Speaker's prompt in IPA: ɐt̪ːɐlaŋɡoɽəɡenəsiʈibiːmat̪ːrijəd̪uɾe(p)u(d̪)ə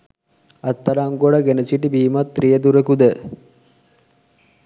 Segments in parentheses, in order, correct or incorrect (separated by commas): incorrect, correct